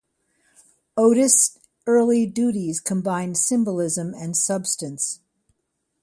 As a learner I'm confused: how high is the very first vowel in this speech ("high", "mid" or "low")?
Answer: mid